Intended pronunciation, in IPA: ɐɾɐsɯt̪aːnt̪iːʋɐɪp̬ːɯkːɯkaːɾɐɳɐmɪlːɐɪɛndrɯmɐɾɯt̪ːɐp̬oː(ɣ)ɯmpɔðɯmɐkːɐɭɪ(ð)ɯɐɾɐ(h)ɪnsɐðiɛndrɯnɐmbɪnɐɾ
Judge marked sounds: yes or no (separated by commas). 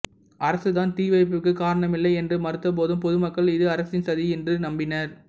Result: no, yes, no